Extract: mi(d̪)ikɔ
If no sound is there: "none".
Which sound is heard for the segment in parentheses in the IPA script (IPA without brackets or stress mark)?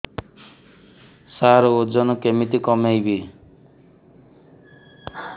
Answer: t̪